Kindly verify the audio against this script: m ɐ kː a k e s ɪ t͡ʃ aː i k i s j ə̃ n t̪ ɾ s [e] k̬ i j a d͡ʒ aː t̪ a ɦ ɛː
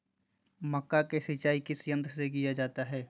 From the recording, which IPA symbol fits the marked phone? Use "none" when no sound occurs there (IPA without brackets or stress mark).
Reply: e